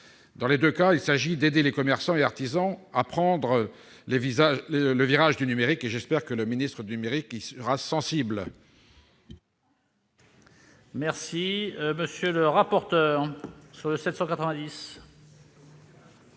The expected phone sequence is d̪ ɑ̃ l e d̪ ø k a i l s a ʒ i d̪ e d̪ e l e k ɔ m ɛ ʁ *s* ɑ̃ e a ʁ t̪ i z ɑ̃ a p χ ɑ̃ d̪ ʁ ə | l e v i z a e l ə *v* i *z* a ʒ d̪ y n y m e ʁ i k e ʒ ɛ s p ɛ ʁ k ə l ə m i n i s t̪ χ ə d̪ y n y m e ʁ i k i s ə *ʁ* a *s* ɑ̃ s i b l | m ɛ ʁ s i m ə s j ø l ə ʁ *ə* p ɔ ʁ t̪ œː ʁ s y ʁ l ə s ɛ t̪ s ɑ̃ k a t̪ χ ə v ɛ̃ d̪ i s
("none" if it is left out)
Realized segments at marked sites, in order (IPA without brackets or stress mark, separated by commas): s, v, ʁ, ʁ, s, a